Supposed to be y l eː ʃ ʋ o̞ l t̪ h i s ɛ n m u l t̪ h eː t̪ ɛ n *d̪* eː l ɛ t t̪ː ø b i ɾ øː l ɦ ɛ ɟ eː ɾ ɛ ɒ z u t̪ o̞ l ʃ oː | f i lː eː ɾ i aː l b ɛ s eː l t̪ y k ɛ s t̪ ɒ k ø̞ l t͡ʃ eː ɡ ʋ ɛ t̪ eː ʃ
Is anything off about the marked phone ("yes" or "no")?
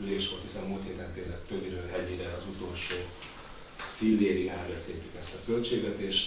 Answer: yes